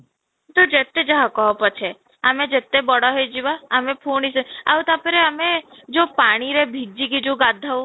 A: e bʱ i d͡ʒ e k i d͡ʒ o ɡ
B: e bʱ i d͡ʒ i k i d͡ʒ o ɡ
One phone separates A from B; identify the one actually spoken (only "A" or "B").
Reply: B